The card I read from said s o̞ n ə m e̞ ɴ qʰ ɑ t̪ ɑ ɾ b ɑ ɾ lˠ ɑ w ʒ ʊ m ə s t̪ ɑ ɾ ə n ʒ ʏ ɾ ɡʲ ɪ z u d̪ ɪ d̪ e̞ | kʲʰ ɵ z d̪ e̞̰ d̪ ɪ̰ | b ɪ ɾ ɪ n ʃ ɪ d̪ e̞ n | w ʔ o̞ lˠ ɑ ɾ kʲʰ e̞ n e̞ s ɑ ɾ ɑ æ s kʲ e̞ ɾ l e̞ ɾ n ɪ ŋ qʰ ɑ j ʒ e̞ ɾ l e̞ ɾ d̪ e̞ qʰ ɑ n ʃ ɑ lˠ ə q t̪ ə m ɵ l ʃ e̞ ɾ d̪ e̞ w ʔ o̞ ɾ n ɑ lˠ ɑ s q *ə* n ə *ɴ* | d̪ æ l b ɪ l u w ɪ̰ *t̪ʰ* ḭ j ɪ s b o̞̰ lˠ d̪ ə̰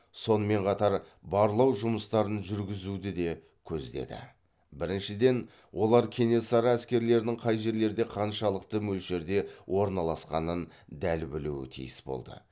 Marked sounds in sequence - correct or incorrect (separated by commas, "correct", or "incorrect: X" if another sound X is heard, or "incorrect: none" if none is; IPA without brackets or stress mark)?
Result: incorrect: ɑ, incorrect: n, correct